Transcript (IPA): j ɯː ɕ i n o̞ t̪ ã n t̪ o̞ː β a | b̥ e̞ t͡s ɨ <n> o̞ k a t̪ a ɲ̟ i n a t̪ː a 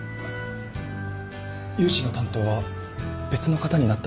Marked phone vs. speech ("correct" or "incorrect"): correct